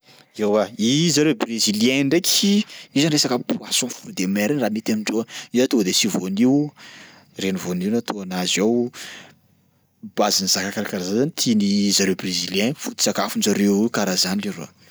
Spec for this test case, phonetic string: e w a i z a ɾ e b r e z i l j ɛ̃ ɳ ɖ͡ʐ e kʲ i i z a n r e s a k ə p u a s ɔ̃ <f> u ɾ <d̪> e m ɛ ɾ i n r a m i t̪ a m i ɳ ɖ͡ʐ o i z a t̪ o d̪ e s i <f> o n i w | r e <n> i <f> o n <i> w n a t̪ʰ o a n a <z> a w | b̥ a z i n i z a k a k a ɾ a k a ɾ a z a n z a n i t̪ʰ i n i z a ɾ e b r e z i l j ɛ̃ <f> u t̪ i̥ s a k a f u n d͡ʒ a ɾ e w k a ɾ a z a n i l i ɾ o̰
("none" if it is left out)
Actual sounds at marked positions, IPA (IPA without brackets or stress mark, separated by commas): f, d̪, v, n, v, i, z, f